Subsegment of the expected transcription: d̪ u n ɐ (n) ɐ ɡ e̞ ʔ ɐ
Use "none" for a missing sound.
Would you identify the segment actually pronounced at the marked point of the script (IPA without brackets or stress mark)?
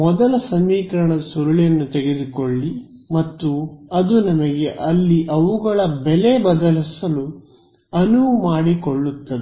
m